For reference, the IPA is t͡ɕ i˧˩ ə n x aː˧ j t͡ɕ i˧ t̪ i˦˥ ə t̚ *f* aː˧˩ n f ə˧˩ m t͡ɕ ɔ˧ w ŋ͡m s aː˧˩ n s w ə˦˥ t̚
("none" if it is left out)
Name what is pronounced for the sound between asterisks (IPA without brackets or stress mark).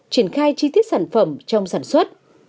s